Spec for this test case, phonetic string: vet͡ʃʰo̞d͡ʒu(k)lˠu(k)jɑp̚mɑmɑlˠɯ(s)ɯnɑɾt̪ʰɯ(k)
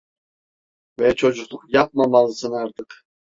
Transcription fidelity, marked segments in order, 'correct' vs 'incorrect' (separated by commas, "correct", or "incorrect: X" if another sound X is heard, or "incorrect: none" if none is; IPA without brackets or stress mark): incorrect: q, incorrect: q, correct, incorrect: q